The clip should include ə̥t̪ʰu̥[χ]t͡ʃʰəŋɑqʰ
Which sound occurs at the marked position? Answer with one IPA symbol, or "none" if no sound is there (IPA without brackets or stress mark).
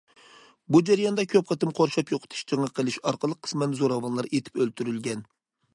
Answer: ʃ